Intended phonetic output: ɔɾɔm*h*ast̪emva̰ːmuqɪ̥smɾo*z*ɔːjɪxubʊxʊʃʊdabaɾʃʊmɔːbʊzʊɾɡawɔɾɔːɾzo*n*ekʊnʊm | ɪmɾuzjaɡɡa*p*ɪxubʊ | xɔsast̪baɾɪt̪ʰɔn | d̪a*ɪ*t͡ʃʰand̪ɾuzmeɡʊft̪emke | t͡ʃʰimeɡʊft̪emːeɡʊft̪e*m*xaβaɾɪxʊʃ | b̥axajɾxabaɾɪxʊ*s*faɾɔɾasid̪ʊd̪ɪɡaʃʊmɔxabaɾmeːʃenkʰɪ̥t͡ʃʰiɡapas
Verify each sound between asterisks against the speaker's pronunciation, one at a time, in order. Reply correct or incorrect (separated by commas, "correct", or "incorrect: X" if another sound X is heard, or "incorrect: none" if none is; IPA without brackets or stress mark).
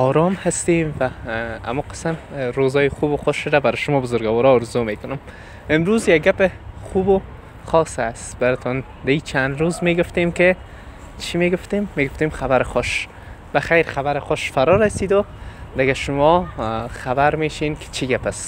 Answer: correct, correct, incorrect: m, correct, incorrect: i, correct, incorrect: ʃ